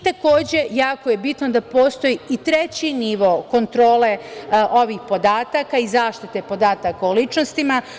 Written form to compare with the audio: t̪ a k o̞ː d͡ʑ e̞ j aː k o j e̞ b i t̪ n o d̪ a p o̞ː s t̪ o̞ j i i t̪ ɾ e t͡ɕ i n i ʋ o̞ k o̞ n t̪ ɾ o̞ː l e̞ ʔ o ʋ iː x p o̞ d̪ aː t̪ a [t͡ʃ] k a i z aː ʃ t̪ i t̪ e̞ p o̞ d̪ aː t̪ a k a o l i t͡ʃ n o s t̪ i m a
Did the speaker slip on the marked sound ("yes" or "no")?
yes